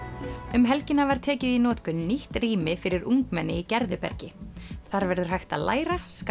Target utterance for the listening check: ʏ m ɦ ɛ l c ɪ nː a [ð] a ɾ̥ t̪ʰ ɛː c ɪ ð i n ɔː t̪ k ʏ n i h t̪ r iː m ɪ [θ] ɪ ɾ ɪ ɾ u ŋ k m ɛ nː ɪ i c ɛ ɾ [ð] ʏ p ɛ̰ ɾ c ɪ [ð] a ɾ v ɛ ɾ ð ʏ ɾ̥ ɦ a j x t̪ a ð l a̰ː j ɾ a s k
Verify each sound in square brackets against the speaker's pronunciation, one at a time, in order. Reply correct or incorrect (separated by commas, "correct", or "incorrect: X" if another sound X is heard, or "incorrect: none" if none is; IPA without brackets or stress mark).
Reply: incorrect: v, incorrect: f, correct, incorrect: θ